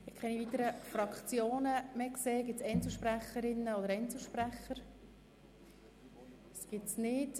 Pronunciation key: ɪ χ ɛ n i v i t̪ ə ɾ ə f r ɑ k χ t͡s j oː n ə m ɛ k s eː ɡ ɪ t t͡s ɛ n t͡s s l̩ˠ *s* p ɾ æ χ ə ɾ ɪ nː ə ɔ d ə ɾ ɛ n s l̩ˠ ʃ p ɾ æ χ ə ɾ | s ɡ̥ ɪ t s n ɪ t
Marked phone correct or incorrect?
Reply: incorrect